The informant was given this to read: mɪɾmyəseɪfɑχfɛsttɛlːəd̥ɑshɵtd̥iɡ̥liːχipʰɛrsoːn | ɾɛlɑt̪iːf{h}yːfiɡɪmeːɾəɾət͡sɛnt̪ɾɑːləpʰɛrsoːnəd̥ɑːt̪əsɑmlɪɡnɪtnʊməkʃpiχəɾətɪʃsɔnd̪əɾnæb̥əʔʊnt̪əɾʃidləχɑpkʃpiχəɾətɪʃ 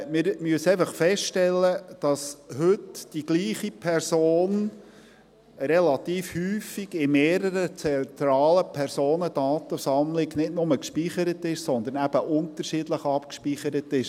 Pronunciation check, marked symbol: correct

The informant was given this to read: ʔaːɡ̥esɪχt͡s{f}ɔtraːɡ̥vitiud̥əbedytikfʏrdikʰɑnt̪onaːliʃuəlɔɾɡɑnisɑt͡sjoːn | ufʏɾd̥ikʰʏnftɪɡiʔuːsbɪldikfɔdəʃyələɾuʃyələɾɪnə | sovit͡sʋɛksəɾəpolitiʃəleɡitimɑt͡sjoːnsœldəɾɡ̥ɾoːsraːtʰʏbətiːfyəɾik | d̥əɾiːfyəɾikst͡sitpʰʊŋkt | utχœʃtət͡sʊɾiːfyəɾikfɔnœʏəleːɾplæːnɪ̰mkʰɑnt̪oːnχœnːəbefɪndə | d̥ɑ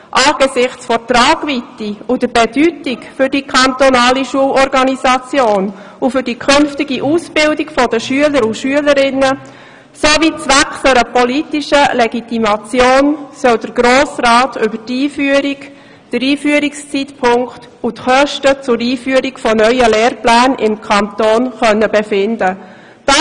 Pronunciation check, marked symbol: correct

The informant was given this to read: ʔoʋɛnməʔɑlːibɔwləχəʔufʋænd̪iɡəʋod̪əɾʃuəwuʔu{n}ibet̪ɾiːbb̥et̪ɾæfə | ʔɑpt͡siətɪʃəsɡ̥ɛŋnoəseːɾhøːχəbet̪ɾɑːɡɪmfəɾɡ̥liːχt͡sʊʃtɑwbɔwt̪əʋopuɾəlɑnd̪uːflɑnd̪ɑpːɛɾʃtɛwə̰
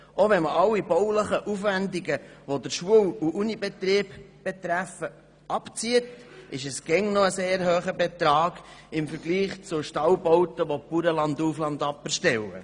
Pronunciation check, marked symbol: correct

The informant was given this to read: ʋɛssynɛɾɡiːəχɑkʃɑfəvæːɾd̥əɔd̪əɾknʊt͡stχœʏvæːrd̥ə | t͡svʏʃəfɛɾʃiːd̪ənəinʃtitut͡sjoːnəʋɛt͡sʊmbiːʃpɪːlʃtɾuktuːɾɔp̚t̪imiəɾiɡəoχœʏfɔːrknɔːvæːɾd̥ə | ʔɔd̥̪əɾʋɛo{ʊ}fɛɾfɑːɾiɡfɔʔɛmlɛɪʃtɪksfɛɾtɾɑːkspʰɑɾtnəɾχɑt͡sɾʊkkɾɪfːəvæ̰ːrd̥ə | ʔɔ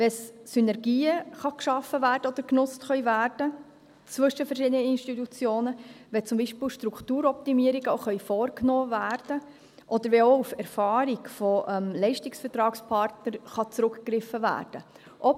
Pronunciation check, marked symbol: incorrect: u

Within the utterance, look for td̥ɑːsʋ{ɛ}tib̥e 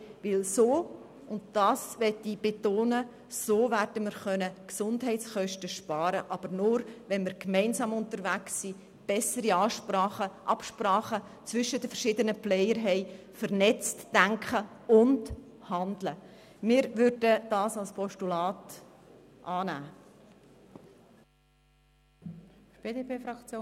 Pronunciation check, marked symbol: correct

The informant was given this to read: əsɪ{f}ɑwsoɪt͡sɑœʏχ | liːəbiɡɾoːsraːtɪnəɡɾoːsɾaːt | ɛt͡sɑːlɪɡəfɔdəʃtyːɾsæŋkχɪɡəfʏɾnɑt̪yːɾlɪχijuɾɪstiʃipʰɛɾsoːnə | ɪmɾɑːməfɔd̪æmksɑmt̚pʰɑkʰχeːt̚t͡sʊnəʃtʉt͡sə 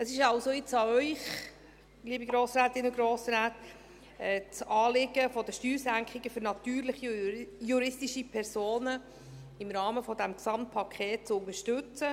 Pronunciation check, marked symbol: incorrect: ʃ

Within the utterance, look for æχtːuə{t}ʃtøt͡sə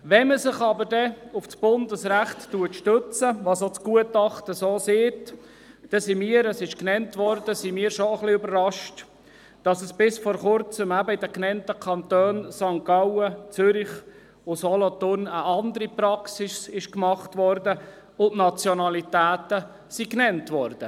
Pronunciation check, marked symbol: correct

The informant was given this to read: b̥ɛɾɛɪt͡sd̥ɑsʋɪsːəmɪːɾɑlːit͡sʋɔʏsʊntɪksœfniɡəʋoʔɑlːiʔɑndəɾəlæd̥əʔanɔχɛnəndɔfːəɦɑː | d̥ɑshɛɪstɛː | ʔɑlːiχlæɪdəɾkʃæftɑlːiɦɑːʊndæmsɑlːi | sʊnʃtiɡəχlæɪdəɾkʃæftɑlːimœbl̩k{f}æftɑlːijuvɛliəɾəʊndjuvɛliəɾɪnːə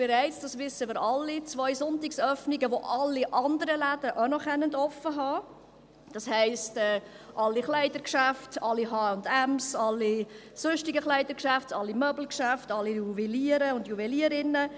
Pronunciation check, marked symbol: incorrect: ʃ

